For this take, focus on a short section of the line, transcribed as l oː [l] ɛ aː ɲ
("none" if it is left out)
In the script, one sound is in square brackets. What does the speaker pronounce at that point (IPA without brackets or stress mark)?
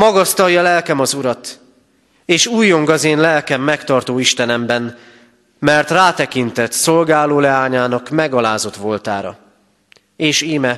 l